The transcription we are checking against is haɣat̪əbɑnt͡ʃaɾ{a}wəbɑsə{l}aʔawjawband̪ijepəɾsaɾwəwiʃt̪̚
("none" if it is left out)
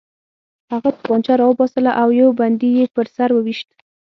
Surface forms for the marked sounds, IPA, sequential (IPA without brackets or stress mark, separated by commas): ɑ, l